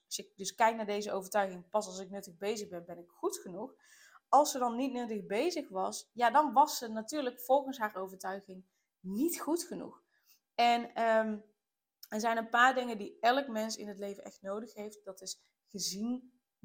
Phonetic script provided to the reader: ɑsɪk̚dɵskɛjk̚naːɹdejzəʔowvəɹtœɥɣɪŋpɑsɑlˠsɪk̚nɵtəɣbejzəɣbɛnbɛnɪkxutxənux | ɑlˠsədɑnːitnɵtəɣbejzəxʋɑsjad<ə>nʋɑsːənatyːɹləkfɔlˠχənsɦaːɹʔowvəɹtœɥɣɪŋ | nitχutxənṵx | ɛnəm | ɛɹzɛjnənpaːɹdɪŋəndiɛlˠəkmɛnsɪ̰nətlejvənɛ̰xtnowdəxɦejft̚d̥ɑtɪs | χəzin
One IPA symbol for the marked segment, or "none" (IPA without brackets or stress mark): ɑ